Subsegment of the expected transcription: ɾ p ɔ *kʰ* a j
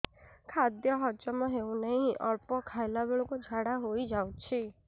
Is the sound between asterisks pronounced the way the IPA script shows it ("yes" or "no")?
yes